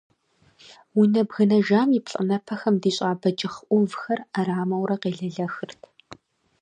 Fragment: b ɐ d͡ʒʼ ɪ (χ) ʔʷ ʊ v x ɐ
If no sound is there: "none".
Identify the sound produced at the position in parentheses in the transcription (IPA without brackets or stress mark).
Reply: χ